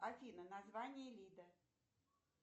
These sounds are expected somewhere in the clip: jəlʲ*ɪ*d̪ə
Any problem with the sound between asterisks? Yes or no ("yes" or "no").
yes